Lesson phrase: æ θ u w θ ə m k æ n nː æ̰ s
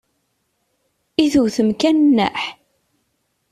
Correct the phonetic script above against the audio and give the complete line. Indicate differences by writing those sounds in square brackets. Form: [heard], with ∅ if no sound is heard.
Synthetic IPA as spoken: [i] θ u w θ ə m k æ n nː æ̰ [ħ]